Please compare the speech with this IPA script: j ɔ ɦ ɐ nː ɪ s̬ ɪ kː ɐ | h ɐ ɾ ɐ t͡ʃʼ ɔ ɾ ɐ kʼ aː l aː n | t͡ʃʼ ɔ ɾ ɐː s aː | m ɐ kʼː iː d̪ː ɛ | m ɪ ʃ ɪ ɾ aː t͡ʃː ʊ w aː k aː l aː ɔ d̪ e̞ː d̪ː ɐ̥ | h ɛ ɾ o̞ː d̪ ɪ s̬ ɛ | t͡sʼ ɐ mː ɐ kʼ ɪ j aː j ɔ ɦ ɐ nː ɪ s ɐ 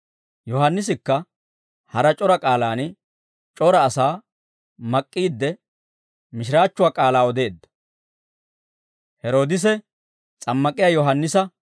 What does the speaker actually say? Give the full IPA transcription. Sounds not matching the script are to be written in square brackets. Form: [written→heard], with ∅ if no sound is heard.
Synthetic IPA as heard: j ɔ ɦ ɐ nː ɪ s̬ ɪ kː ɐ | h ɐ ɾ ɐ t͡ʃʼ ɔ ɾ ɐ kʼ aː l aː n | t͡ʃʼ ɔ ɾ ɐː s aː | m ɐ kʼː iː d̪ː ɛ | m ɪ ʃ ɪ ɾ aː t͡ʃː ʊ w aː [k→kʼ] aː l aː ɔ d̪ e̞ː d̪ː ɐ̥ | h ɛ ɾ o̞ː d̪ ɪ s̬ ɛ | t͡sʼ ɐ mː ɐ kʼ ɪ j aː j ɔ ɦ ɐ nː ɪ s ɐ